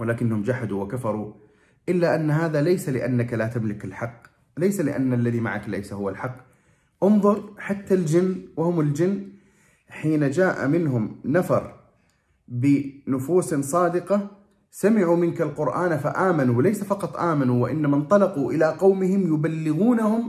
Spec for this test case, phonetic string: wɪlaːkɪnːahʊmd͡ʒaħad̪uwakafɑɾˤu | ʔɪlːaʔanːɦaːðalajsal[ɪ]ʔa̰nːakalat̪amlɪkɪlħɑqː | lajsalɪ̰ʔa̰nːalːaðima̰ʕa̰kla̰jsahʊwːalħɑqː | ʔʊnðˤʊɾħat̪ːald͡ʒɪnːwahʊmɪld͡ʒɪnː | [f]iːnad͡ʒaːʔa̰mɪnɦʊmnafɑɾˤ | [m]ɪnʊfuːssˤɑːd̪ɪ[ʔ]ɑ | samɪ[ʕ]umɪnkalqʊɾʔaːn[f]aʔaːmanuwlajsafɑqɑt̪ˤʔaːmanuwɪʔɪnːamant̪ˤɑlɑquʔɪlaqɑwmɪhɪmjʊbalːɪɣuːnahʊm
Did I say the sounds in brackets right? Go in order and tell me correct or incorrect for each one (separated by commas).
correct, incorrect, incorrect, incorrect, correct, correct